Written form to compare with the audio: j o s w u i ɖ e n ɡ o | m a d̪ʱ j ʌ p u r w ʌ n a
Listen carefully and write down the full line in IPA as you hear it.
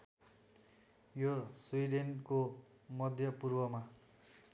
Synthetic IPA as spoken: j o s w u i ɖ e n k o | m ʌ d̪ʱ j ʌ p u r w ʌ m a